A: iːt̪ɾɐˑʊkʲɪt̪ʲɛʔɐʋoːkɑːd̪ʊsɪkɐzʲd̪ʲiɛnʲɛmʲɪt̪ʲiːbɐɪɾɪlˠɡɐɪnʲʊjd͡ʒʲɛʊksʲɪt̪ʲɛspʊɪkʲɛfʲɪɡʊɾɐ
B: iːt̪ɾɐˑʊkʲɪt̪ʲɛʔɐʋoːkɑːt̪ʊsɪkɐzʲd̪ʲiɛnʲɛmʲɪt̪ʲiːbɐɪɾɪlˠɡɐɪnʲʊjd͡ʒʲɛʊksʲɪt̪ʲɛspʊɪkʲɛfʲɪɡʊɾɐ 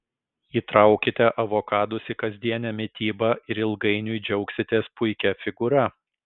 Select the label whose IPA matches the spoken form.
A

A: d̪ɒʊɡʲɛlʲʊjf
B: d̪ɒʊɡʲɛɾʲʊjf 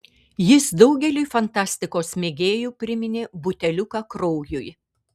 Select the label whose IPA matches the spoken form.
A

